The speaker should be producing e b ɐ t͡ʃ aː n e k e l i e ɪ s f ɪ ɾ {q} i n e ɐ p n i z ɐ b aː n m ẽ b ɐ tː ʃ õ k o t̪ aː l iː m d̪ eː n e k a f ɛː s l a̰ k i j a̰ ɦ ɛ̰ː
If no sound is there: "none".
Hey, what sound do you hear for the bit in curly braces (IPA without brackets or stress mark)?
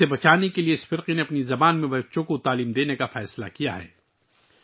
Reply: q